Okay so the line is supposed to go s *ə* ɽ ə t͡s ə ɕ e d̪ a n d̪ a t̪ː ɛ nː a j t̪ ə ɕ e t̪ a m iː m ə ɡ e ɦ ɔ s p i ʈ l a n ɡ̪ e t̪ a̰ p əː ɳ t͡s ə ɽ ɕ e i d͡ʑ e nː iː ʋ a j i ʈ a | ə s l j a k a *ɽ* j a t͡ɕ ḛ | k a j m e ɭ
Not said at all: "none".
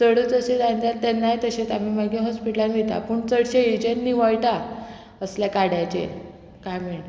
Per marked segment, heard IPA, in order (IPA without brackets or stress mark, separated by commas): ə, ɽ